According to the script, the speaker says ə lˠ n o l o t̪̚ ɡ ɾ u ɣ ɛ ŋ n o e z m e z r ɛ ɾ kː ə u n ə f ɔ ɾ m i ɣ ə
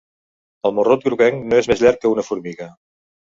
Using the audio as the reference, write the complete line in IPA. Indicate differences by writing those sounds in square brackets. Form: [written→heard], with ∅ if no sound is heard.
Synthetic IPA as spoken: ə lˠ [n→m] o [l→r] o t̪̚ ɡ ɾ u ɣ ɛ ŋ n o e z m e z [r→ʎ] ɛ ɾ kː ə u n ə f [ɔ→u] ɾ m i ɣ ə